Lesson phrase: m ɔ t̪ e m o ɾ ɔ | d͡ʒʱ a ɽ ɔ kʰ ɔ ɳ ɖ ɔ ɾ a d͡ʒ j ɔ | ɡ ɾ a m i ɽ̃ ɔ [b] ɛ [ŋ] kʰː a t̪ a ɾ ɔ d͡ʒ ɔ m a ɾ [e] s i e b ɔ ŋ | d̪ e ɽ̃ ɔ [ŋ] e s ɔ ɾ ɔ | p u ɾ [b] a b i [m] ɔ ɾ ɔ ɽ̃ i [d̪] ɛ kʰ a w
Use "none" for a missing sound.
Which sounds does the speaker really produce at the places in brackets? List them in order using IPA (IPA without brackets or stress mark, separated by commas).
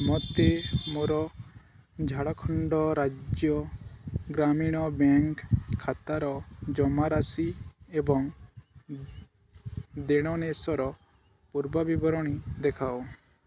b, ŋ, a, n, b, b, d̪